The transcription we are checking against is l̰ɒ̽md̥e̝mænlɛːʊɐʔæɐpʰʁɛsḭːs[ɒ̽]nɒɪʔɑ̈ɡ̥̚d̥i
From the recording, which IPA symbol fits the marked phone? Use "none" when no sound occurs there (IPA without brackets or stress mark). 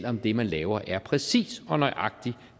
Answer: ɒ̽